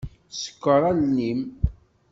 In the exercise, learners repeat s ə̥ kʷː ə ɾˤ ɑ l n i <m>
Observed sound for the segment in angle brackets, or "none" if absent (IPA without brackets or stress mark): m